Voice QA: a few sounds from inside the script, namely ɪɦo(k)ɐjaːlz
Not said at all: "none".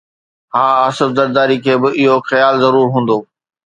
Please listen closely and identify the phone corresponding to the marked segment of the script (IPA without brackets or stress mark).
x